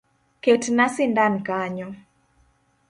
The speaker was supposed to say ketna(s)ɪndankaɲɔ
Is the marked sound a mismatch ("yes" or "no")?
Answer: no